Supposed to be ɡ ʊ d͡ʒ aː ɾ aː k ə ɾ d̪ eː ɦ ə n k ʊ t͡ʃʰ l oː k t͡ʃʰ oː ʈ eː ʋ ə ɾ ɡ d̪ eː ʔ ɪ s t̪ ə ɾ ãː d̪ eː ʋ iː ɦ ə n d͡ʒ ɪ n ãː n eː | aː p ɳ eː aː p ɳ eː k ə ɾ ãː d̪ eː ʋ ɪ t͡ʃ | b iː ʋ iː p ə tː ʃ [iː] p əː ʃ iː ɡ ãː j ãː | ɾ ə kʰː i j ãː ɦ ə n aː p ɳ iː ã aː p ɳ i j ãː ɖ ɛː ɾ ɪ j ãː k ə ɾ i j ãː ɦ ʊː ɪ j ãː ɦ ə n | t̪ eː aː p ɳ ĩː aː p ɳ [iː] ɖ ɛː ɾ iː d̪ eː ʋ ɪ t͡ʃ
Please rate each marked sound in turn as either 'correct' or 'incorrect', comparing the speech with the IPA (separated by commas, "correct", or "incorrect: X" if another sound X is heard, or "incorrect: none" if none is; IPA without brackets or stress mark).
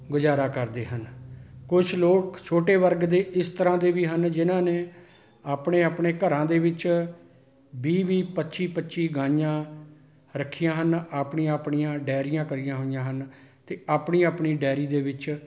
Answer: correct, correct